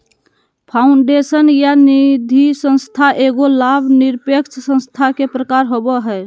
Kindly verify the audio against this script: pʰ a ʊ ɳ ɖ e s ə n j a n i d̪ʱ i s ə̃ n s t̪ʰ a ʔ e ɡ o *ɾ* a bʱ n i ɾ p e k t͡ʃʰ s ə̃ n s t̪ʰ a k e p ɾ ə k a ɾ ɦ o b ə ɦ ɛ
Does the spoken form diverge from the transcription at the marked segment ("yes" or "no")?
yes